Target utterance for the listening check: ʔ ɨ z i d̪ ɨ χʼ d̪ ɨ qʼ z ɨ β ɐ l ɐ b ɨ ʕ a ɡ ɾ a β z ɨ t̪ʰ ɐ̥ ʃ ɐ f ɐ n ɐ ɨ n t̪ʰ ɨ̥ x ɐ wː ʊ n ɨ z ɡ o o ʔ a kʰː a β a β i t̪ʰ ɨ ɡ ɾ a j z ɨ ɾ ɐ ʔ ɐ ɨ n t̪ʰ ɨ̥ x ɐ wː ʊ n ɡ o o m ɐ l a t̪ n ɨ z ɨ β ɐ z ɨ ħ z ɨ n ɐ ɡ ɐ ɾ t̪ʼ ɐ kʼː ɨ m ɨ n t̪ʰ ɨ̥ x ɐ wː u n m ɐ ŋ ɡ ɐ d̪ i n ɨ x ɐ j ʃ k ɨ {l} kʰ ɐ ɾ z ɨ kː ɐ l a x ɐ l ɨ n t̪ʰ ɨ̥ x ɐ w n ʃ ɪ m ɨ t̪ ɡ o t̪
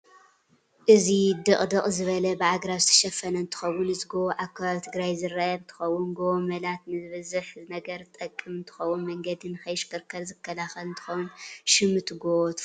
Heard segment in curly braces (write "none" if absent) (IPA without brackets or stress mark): ɾ